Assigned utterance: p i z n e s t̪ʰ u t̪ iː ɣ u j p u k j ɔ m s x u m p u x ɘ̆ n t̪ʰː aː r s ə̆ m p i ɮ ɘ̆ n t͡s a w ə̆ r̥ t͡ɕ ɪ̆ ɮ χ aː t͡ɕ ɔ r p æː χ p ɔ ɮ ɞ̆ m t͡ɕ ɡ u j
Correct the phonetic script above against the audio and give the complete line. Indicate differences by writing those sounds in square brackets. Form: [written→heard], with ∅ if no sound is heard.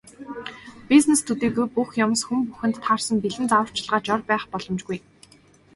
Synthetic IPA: p i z n e s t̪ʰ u t̪ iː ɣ u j p u [k→x] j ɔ m s x u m p u x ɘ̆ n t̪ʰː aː r s ə̆ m p i ɮ ɘ̆ n t͡s a w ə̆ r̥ t͡ɕ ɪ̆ ɮ [χ→ʁ] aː t͡ɕ ɔ r p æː χ p ɔ ɮ ɞ̆ m t͡ɕ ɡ u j